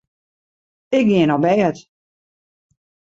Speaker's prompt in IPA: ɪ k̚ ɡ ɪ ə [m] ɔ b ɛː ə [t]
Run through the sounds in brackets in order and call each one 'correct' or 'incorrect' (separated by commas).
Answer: incorrect, correct